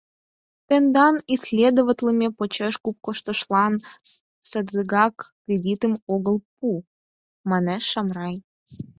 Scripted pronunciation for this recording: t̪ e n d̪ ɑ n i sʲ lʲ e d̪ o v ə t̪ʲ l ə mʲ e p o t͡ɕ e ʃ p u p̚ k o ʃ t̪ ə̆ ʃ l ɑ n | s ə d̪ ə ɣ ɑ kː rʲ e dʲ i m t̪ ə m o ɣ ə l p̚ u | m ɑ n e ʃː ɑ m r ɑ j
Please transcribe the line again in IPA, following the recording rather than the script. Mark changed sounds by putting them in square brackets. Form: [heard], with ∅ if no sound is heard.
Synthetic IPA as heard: t̪ e n d̪ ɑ n i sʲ lʲ e d̪ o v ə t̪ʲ l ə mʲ e p o t͡ɕ e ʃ [k] u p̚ k o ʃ t̪ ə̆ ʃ l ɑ n | s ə d̪ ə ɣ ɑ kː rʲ e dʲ i [∅] t̪ ə m o ɣ ə l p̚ u | m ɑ n e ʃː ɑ m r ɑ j

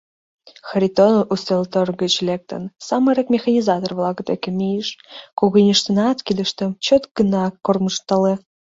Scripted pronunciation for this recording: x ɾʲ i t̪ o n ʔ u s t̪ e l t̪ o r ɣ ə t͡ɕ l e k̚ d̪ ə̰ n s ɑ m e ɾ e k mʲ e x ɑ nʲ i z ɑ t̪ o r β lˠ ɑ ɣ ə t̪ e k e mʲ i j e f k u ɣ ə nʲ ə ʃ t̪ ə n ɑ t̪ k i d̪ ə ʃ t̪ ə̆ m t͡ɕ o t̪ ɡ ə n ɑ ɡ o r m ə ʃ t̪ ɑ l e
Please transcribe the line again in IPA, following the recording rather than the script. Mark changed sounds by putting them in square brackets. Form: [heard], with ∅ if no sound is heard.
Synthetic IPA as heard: x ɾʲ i t̪ o n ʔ u s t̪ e l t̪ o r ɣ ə t͡ɕ l e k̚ [t̪] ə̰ n s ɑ m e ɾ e k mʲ e x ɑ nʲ i z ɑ t̪ o r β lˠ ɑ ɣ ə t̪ e k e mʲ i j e [ʃ] k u ɣ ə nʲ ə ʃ t̪ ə n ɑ t̪ k i d̪ ə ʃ t̪ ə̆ m t͡ɕ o t̪ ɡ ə n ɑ [k] o r m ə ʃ t̪ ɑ l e

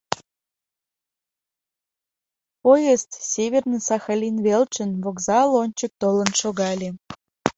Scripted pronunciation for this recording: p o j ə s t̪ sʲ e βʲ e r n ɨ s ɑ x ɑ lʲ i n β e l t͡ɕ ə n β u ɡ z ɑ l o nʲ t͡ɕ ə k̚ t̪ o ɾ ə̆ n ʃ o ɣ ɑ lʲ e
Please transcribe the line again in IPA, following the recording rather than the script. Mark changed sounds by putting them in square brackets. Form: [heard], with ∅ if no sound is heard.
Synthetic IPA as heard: p o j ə s t̪ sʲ e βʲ e r n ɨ s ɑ x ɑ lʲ i n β e l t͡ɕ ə n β [o] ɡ z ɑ l o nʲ t͡ɕ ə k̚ t̪ o [l] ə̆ n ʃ o ɣ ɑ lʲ e

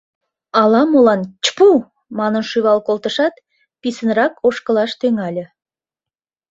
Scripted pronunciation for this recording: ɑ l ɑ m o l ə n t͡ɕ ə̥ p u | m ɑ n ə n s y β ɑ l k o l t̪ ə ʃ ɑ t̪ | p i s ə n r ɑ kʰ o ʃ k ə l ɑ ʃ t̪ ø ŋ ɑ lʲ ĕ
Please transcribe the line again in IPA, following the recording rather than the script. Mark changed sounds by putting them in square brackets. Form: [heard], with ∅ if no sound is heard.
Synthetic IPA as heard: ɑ l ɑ m o l [ɑ] n t͡ɕ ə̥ p u | m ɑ n ə n [ʃ] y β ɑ l k o l t̪ ə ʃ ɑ t̪ | p i s ə n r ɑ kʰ o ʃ k ə l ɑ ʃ t̪ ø ŋ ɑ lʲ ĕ

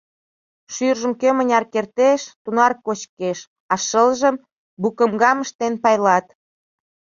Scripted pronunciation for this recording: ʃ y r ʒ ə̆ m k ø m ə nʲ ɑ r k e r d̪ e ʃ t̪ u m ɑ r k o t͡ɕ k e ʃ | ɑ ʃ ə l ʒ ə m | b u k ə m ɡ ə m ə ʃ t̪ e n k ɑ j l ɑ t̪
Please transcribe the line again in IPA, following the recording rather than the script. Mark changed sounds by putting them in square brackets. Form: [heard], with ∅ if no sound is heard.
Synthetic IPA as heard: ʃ y r ʒ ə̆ m k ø m ə nʲ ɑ r k e r [t̪] e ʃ t̪ u [n] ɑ r k o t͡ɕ k e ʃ | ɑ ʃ ə l ʒ ə m | b u k ə m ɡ [ɑ] m ə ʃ t̪ e n [p] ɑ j l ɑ t̪

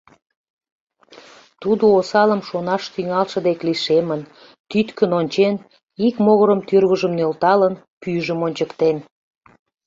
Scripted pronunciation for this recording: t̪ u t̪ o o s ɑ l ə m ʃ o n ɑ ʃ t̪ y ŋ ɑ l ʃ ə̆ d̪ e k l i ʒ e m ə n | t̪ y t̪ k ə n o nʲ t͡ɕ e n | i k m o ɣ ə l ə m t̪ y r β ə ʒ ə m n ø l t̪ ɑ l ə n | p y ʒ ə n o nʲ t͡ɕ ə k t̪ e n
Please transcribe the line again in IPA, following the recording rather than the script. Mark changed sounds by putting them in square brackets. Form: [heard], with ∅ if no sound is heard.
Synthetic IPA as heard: t̪ u [d̪] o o s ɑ l ə m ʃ o n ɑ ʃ t̪ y ŋ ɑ l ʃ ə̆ d̪ e k l i [ʃ] e m ə n | t̪ y t̪ k ə n o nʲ t͡ɕ e n | i k m o ɣ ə [ɾ] ə m t̪ y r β ə ʒ ə m n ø l t̪ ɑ l ə n | p y ʒ ə [m] o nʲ t͡ɕ ə k t̪ e n

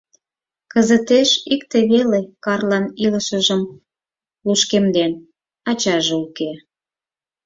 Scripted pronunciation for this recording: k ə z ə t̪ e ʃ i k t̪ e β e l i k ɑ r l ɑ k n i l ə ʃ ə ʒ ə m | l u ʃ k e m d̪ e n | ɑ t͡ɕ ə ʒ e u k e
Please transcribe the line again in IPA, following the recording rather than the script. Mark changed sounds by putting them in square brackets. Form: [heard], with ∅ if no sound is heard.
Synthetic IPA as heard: k ə z ə t̪ e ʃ i k t̪ e β e l [e] k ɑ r l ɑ [∅] n i l ə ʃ ə ʒ ə m | l u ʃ k e m d̪ e n | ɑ t͡ɕ [ɑ] ʒ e u k e

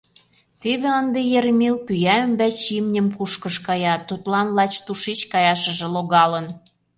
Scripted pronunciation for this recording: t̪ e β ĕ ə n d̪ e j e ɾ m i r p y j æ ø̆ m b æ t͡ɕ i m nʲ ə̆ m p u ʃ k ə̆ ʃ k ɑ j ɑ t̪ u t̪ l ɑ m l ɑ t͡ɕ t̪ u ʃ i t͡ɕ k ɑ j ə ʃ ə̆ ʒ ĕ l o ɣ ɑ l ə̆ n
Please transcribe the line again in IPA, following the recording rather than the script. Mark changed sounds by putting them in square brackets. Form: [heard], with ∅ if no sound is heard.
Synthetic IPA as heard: t̪ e β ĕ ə n d̪ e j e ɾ m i [l] p y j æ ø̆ m b æ t͡ɕ i m nʲ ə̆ m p u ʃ k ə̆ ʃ k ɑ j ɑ t̪ u t̪ l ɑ [n] l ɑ t͡ɕ t̪ u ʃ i t͡ɕ k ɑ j [ɑ] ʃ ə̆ ʒ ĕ l o ɣ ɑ l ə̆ n

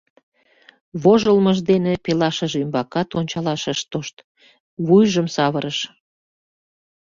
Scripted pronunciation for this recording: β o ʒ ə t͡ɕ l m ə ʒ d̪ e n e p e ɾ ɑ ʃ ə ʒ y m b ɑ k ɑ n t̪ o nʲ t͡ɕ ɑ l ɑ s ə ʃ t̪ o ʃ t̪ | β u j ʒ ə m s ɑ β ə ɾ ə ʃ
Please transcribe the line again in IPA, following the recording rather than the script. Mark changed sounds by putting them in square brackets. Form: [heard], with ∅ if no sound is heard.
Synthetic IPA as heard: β o ʒ ə [∅] l m ə ʒ d̪ e n e p e [l] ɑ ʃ ə ʒ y m b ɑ k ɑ [∅] t̪ o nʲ t͡ɕ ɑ l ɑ [ʃ] ə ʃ t̪ o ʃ t̪ | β u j ʒ ə m s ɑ β ə ɾ ə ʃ

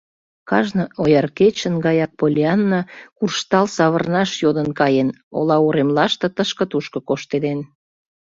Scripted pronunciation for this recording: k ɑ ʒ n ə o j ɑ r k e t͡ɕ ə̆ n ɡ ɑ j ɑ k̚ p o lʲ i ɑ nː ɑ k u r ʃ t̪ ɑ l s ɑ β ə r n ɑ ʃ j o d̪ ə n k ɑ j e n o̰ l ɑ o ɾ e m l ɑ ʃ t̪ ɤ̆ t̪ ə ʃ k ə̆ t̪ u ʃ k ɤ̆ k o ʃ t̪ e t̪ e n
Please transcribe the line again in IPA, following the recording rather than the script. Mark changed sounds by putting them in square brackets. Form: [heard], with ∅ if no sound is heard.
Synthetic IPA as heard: k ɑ ʒ n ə o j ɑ r k e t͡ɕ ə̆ n ɡ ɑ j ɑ k̚ p o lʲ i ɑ nː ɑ k u r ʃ t̪ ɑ l s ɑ β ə r n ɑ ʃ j o d̪ ə n k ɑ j e n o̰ l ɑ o ɾ e m l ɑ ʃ t̪ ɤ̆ t̪ ə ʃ k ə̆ t̪ u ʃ k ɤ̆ k o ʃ t̪ e [d̪] e n

